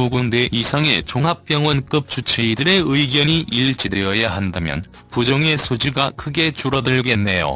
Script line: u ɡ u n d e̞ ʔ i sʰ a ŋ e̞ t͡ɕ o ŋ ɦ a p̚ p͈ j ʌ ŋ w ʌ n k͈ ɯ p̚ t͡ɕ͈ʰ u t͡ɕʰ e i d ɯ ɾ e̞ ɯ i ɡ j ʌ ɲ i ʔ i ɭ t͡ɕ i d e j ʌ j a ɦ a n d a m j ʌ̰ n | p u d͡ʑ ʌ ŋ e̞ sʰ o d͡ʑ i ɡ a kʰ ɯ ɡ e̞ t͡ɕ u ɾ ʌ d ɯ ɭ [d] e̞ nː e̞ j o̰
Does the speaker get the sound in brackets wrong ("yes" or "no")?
yes